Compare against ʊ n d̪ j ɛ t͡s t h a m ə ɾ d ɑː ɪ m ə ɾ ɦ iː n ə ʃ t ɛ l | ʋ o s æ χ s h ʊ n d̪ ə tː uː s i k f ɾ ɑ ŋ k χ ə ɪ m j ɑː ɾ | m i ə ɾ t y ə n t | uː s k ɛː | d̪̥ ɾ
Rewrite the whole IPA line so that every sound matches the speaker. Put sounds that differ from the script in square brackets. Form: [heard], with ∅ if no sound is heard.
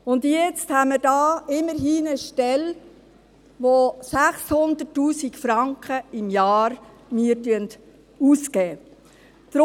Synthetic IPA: ʊ n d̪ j ɛ t͡s t h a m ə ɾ d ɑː ɪ m ə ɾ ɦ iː n ə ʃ t ɛ l | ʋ o s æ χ s h ʊ n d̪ ə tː uː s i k f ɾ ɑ ŋ k χ ə ɪ m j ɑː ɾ | m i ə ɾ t y ə n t | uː s k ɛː | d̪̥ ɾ